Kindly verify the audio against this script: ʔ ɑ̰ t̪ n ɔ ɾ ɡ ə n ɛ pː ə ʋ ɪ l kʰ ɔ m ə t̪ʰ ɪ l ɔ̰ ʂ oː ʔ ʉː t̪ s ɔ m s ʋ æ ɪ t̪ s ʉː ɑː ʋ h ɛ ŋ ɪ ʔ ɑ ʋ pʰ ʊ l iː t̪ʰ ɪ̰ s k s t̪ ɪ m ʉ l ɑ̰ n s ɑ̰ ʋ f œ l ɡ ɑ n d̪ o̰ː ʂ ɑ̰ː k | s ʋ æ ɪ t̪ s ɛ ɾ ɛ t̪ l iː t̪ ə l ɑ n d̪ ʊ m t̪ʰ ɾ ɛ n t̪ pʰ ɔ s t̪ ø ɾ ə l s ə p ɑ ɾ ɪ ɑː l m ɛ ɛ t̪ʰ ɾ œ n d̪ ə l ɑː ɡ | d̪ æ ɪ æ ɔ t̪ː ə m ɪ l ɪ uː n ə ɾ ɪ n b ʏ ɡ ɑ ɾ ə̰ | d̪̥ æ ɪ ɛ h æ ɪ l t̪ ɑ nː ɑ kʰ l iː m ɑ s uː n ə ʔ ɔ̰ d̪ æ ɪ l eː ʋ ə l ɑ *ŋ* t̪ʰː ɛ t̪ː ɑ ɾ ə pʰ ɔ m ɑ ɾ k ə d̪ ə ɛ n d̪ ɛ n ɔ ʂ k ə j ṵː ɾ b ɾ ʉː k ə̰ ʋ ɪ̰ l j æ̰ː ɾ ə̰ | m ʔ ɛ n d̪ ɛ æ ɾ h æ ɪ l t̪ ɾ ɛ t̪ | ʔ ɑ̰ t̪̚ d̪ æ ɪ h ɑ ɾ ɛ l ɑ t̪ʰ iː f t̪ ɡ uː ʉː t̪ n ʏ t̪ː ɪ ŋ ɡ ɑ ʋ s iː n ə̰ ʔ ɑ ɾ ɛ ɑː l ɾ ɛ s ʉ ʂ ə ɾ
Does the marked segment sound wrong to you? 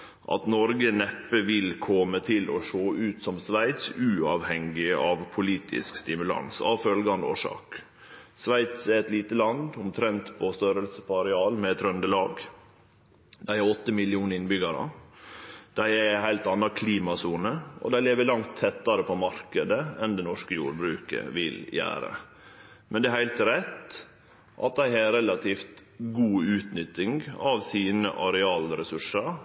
no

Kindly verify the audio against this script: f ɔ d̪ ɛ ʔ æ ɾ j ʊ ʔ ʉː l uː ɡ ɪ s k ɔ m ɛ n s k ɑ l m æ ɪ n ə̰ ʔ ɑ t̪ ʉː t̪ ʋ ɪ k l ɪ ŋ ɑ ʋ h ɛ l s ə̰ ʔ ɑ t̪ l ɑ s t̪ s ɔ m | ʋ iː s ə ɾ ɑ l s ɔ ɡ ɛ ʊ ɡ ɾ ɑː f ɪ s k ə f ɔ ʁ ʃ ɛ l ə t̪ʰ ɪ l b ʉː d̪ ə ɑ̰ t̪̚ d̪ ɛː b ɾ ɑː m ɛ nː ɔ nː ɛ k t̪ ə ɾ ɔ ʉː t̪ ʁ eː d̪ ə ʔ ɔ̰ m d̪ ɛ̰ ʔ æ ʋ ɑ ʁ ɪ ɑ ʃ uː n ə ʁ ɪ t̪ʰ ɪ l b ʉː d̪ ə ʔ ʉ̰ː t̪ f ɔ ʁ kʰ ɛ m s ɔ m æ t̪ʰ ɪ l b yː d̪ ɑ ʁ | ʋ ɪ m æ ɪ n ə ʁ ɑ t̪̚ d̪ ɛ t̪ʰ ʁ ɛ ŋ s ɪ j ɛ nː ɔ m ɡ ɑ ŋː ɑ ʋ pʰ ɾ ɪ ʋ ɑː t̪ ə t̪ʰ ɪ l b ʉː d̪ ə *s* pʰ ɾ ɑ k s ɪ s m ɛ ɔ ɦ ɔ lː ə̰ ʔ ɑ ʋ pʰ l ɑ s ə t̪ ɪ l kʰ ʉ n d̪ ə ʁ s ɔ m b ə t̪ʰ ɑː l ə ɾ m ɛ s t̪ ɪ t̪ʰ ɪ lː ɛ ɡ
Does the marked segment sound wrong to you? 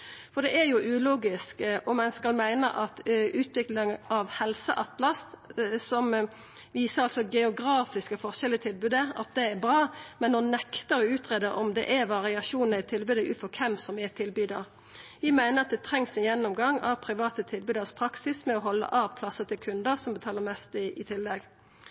no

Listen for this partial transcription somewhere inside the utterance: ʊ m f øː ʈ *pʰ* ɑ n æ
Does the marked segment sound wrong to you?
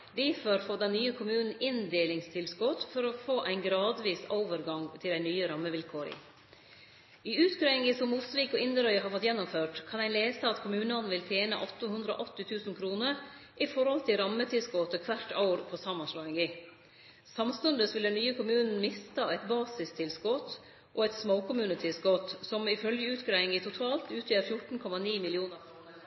yes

